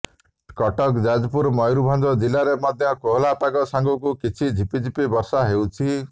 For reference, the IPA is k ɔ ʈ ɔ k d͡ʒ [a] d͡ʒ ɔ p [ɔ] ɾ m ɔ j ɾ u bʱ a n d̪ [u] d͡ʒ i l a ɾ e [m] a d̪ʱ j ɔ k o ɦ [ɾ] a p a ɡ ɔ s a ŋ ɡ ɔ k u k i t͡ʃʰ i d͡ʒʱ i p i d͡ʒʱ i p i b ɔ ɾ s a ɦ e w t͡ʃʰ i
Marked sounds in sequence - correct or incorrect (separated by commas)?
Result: correct, incorrect, incorrect, correct, incorrect